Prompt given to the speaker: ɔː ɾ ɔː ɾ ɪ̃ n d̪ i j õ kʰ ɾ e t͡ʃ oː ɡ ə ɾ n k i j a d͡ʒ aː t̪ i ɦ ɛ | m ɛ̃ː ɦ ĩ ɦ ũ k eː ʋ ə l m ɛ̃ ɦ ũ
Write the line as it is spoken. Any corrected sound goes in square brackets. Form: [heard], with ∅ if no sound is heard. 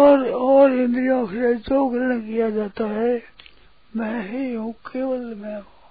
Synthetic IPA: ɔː ɾ ɔː ɾ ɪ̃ n d̪ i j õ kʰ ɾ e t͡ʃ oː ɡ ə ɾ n k i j a d͡ʒ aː t̪ [a] ɦ ɛ | m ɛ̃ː ɦ [i] ɦ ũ k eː ʋ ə l m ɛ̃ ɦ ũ